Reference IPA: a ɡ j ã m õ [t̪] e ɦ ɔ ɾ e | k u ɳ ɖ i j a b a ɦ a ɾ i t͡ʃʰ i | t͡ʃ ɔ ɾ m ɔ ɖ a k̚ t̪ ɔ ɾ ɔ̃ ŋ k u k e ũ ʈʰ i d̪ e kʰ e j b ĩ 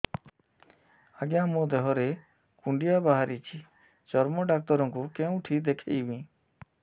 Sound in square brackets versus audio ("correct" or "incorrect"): incorrect